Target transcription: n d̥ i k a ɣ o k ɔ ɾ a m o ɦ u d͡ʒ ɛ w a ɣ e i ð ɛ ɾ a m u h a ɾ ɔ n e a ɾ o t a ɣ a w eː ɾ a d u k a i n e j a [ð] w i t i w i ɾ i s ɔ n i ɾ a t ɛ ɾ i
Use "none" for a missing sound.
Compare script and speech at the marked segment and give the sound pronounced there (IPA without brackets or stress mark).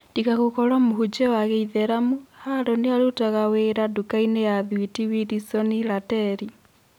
ð